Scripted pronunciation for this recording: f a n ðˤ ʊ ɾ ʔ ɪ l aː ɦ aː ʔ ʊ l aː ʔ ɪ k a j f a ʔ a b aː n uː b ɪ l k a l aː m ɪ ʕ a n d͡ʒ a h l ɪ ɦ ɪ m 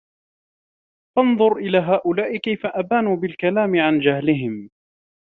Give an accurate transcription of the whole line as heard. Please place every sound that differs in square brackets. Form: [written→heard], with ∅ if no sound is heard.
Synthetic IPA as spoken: f [a→ɑ] n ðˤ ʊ ɾ ʔ ɪ l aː ɦ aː ʔ ʊ l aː ʔ ɪ k a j f a ʔ a b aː n uː b ɪ l k a l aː m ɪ ʕ a n d͡ʒ a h l ɪ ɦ ɪ m